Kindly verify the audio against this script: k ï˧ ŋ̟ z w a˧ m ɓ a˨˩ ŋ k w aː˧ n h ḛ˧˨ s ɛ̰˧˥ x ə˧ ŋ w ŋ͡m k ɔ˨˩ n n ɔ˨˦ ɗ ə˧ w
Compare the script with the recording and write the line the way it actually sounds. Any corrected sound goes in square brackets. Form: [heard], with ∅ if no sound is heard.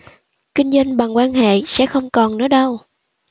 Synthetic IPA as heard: k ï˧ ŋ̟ z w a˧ [ŋ] ɓ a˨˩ ŋ k w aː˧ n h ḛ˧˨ s ɛ̰˧˥ x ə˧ [∅] w ŋ͡m k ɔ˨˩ n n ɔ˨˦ ɗ ə˧ w